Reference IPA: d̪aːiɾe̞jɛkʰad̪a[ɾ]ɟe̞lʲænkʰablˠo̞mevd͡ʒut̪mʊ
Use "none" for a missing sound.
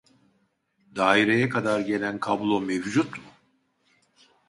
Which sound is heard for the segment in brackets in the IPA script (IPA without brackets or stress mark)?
ɾ